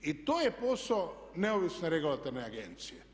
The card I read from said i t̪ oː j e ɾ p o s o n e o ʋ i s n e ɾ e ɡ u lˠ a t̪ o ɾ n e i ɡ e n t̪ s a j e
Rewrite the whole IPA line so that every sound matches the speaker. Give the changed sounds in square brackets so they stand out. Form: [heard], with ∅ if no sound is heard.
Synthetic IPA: i t̪ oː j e [∅] p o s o n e o ʋ i s n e ɾ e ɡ u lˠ a t̪ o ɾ n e [a] ɡ e n t̪ s [i] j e